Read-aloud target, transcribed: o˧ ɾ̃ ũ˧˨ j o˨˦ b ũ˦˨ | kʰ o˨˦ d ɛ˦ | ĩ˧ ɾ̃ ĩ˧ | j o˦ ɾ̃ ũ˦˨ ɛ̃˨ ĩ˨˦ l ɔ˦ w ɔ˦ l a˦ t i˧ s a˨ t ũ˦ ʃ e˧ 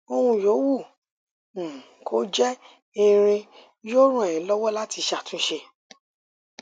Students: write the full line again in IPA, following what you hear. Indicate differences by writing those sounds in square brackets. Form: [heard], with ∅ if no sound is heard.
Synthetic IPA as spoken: o˧ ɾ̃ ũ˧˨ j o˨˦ [w] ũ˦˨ | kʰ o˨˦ [d͡ʒ] ɛ˦ | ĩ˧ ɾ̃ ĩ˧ | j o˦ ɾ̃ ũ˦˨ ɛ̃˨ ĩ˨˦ l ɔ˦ w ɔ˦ l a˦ t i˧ [ʃ] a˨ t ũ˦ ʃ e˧